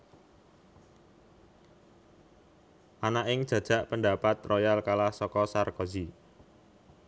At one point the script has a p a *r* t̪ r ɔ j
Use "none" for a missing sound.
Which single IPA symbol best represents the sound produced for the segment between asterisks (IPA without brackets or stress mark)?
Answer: none